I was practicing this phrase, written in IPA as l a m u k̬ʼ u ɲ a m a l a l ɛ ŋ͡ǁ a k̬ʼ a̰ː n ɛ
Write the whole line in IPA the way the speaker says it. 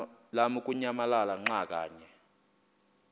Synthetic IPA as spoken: l a m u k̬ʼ u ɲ a m a l a l a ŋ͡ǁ a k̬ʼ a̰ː ɲ ɛ